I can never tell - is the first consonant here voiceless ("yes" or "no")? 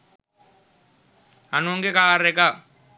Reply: no